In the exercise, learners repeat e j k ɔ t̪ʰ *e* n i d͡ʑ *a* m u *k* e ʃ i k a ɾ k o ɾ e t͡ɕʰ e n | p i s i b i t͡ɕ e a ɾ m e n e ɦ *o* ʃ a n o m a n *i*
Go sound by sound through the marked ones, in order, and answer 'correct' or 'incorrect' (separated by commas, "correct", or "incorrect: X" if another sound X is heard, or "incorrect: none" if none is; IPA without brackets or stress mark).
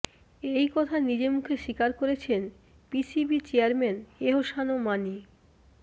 incorrect: a, incorrect: e, incorrect: kʰ, correct, correct